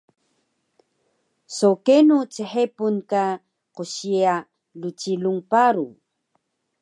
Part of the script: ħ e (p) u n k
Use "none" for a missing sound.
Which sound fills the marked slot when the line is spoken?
p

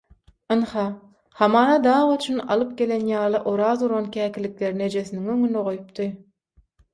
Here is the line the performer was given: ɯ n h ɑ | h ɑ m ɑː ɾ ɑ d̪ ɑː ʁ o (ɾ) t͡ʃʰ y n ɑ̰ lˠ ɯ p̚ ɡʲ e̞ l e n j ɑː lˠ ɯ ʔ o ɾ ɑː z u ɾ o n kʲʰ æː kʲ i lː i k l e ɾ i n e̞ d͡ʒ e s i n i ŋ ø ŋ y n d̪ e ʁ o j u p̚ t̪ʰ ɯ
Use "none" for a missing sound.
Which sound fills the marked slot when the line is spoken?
none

